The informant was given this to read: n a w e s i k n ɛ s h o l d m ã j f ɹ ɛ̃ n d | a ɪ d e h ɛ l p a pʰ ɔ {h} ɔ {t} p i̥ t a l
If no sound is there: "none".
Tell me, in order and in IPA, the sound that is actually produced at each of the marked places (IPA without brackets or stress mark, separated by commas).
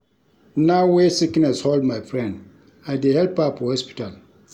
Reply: h, s